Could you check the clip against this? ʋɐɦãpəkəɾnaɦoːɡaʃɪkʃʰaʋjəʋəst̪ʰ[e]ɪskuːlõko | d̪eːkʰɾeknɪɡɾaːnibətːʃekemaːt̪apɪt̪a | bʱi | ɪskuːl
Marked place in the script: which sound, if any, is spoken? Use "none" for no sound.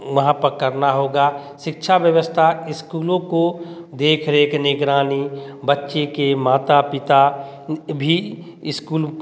a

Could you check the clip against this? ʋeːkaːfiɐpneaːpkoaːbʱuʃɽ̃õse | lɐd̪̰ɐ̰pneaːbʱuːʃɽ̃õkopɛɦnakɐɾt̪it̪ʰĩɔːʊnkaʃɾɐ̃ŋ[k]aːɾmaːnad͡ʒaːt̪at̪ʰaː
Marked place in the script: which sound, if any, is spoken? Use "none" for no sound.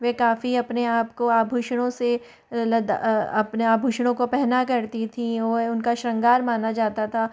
ɡ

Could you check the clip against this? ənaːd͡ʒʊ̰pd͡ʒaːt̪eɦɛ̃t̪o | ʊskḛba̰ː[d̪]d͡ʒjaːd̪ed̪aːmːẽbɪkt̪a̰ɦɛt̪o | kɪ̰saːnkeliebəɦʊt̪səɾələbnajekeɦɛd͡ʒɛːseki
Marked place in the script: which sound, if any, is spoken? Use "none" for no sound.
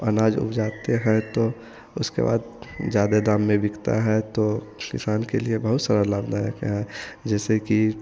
d̪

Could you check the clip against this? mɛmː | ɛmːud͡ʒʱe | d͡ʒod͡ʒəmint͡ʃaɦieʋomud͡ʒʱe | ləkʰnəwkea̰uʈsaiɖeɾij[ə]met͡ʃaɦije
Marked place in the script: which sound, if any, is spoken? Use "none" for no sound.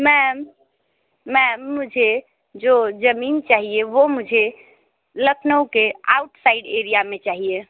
a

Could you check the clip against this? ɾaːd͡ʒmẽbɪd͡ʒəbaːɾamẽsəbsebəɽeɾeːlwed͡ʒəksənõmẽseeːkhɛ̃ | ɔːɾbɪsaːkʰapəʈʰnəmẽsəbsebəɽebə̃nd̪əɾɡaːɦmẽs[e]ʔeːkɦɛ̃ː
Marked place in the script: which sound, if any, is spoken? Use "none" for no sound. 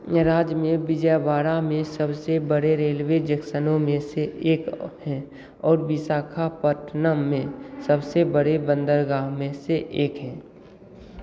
e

